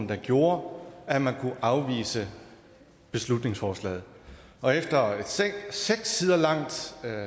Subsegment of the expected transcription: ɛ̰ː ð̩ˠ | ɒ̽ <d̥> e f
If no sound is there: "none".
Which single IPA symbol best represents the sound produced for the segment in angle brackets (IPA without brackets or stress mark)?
none